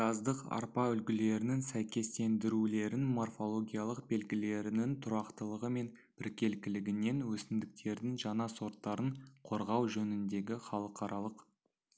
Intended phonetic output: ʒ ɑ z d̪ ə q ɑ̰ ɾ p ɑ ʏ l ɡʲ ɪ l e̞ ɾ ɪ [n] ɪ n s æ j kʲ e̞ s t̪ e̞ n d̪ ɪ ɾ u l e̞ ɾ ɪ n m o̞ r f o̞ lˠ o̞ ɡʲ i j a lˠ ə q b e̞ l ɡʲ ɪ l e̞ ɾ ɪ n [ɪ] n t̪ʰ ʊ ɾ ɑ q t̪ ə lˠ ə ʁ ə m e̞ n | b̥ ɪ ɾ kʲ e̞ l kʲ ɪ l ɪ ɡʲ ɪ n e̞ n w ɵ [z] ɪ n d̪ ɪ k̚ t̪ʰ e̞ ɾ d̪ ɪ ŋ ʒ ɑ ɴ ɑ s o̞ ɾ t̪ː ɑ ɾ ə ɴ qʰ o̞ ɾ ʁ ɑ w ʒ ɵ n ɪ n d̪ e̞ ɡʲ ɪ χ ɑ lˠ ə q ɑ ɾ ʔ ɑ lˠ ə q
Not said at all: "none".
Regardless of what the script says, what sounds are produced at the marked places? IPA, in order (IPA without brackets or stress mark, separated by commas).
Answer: n, ɪ, s